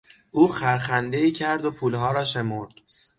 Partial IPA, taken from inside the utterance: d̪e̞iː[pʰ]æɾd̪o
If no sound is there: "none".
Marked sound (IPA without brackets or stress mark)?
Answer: cʰ